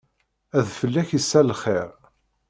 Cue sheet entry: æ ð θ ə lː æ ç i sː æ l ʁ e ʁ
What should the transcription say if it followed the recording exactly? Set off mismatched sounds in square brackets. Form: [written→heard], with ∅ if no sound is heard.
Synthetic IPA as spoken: æ ð [θ→f] ə lː æ ç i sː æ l [ʁ→χ] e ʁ